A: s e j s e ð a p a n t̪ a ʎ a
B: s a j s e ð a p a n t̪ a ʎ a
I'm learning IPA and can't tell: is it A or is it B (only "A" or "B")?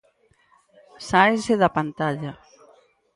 B